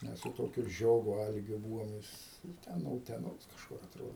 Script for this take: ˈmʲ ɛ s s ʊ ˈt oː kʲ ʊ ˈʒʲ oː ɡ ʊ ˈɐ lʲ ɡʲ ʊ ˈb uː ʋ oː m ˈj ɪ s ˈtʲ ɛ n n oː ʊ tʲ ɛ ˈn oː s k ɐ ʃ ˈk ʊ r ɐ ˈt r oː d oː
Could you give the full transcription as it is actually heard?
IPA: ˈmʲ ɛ s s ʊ ˈt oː kʲ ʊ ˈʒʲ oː ɡ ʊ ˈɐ lʲ ɡʲ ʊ ˈb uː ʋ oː m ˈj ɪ s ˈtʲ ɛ n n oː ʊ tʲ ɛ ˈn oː s k ɐ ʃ ˈk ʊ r ɐ ˈt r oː d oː